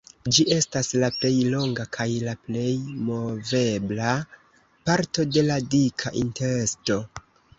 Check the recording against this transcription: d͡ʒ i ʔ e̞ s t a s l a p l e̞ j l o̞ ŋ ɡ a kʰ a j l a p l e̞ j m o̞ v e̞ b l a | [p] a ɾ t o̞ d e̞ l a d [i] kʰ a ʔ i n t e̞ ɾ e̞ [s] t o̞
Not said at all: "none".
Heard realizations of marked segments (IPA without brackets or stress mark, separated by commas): p, i, s